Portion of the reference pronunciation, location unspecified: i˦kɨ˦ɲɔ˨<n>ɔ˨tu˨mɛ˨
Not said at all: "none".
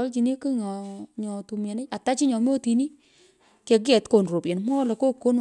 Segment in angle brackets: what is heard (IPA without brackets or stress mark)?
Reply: ɲ